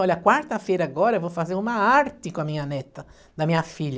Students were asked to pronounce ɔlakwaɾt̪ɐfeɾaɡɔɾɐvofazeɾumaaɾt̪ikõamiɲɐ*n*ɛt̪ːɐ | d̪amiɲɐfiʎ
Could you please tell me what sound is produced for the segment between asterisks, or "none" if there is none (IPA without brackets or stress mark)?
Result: n